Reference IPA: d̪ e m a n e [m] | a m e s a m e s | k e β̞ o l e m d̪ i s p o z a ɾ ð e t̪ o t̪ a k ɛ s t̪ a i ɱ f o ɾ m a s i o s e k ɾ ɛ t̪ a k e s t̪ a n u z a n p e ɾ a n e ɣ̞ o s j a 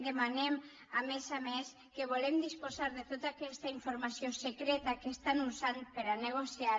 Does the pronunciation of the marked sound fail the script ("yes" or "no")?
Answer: no